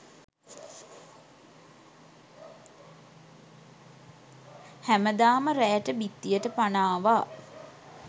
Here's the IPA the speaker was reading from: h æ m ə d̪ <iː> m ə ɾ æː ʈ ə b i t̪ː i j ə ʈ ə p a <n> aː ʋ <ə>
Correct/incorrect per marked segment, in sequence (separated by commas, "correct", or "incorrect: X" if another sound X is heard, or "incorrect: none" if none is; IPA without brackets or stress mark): incorrect: aː, correct, incorrect: a